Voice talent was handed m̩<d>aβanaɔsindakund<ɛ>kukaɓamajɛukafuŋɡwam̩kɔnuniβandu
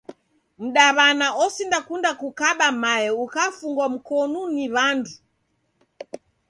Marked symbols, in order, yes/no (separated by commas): no, no